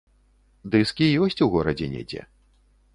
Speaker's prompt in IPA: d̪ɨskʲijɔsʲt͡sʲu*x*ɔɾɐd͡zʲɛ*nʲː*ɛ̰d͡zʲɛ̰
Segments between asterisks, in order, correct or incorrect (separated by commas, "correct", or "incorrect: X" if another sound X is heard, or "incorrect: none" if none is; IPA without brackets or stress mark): incorrect: ɣ, incorrect: nʲ